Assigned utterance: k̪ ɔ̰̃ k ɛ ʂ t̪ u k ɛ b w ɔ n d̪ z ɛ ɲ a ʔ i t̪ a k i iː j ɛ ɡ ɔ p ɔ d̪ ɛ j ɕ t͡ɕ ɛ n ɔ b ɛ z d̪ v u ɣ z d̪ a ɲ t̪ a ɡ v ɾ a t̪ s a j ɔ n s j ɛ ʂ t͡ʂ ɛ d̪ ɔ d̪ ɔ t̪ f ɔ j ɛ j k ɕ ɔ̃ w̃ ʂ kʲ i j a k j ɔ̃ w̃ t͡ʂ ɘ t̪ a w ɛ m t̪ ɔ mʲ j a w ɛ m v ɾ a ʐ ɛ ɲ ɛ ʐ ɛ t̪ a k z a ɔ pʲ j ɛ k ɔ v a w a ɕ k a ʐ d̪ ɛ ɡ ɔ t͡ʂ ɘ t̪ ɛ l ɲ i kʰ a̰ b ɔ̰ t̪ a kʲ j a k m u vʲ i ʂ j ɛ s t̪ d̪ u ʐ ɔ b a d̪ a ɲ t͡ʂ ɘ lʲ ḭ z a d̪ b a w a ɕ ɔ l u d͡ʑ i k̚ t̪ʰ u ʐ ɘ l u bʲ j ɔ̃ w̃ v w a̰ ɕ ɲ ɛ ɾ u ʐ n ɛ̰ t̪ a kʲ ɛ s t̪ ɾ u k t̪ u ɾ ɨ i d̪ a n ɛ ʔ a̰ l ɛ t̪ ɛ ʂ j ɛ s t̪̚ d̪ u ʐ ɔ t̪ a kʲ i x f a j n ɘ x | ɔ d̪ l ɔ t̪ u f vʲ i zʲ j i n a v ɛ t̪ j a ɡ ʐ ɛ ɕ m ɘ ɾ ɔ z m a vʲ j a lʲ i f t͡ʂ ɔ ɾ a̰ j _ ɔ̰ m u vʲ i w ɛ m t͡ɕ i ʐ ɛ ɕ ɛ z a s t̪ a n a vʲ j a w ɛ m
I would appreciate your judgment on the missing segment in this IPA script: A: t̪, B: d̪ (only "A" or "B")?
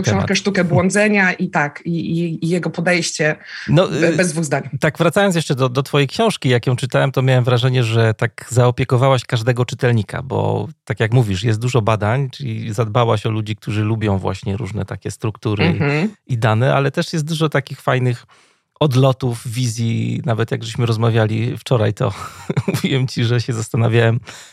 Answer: A